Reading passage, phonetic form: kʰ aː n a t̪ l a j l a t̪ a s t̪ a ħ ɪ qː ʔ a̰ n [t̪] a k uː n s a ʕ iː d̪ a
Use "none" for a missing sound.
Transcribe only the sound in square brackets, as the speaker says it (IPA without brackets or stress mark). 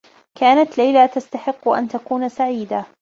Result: t̪